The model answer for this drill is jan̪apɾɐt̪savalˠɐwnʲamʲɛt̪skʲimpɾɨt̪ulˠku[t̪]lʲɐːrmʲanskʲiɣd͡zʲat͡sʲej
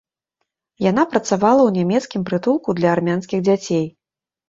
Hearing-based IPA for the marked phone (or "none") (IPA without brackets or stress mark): d̪